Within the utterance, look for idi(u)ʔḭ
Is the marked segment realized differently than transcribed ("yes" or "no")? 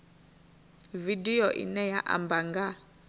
yes